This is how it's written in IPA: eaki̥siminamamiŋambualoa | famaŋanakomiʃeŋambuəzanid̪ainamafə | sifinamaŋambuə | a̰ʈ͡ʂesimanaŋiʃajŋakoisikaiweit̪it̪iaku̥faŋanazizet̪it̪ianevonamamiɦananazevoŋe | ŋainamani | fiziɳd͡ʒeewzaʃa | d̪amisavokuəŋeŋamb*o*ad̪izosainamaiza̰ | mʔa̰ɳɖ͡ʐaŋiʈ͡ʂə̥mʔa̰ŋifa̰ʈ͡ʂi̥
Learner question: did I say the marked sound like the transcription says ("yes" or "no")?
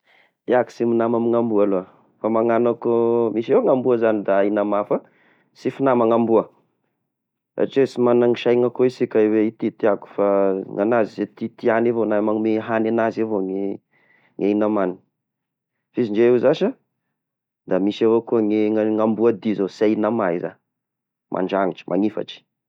no